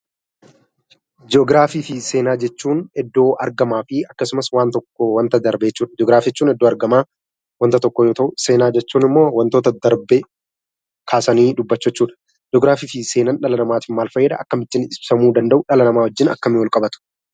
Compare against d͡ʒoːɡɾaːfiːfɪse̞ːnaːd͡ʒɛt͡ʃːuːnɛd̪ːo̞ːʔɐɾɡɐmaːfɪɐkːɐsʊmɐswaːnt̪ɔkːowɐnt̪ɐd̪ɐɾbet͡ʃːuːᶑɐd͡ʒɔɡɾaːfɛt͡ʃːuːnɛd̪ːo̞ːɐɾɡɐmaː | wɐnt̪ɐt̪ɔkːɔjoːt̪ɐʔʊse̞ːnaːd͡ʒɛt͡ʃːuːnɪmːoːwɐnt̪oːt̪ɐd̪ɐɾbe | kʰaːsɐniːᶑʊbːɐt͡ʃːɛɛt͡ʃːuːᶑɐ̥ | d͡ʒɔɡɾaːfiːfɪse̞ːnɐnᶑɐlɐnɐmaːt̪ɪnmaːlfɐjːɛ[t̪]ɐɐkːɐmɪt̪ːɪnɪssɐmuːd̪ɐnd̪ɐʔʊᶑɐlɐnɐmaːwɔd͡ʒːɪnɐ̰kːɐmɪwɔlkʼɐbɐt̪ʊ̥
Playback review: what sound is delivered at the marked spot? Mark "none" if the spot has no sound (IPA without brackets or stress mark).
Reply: d̪